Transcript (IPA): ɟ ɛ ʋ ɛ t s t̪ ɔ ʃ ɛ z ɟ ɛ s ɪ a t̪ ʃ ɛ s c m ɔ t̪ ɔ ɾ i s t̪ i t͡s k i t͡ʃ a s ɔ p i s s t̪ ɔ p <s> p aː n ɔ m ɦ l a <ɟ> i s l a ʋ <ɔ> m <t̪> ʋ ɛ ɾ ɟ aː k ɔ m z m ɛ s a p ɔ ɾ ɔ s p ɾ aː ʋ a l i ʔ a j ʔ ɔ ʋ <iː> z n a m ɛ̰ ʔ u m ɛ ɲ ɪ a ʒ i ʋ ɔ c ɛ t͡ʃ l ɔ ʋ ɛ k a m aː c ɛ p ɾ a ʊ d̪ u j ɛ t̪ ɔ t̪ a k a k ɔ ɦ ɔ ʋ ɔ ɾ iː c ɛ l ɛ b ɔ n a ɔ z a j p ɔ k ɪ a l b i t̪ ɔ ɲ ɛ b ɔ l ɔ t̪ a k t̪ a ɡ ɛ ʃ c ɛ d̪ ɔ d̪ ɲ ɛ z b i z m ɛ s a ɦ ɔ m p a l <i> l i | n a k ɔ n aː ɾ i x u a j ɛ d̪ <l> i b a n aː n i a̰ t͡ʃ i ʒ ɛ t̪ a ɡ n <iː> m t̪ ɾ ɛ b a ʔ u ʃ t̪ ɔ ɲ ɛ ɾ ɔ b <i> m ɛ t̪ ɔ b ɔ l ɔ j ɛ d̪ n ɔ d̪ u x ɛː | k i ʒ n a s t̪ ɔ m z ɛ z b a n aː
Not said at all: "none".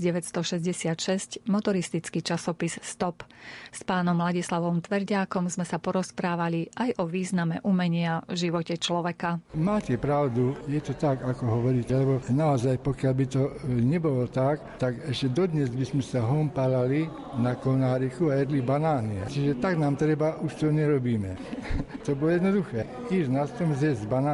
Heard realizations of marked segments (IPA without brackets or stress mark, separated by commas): s, ɟ, ɔ, t̪, iː, a, l, aː, iː